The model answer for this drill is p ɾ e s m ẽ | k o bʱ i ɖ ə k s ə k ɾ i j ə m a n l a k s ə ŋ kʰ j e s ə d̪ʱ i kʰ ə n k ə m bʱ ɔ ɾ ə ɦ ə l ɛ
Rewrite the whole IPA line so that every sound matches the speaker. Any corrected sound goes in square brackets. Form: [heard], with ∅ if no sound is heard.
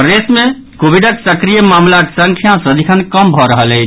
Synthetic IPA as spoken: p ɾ e s m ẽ | k o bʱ i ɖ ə k s ə k ɾ i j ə m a [m] l a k s ə ŋ kʰ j [a] s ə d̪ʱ i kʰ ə n k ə m bʱ ɔ ɾ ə ɦ ə l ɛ